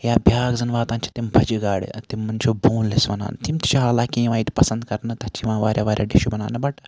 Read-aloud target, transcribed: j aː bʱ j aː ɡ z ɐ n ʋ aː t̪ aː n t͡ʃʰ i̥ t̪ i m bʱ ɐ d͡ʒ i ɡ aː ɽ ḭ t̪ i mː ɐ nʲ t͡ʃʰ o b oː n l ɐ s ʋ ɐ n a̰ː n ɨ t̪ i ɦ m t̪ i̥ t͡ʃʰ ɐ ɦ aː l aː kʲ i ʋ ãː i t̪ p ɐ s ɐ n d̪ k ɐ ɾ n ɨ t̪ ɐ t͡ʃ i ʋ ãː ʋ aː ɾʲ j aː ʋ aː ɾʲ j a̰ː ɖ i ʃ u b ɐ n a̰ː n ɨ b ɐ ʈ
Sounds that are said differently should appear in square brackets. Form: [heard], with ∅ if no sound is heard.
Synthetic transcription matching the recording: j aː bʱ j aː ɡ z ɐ n ʋ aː t̪ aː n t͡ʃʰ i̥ t̪ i m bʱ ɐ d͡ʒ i ɡ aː ɽ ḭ t̪ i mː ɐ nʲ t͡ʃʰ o b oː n l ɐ s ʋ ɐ n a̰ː n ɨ t̪ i [∅] m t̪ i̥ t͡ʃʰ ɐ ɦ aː l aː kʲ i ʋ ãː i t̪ p ɐ s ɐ n d̪ k ɐ ɾ n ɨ t̪ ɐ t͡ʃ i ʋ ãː ʋ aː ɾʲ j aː ʋ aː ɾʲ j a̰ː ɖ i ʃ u b ɐ n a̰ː n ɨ b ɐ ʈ